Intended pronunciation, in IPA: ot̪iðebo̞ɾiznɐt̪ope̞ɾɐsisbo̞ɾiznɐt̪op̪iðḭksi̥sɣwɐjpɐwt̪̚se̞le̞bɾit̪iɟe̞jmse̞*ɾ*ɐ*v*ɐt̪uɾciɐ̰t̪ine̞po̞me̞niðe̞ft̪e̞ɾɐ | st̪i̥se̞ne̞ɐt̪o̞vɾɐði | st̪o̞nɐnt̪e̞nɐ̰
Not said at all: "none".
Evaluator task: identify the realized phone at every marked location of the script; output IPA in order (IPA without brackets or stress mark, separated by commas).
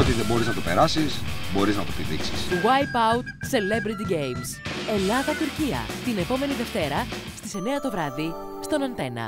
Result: l, ð